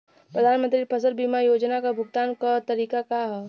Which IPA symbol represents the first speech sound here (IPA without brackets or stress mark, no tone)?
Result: p